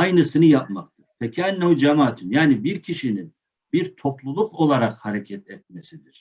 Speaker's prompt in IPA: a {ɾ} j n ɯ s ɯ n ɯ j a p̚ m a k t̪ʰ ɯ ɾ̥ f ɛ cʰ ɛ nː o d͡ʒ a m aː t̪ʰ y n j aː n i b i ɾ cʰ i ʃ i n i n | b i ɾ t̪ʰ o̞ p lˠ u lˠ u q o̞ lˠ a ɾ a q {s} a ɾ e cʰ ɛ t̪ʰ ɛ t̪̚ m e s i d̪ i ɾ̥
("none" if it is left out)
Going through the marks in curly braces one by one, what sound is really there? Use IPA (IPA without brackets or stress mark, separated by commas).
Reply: none, h